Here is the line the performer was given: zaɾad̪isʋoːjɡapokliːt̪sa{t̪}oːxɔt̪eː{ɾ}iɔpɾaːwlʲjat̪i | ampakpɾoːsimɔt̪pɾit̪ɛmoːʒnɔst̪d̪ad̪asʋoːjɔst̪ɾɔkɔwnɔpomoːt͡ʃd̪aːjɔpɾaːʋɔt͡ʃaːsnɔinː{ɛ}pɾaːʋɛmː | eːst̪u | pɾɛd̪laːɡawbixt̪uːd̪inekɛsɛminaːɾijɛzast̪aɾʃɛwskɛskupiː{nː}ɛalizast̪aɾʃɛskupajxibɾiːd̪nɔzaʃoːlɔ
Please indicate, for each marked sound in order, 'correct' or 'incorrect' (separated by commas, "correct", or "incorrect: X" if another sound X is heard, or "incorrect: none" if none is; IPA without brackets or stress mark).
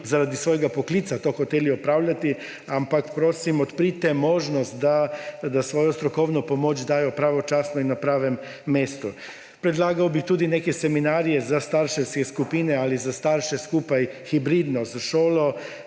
correct, incorrect: l, incorrect: a, incorrect: n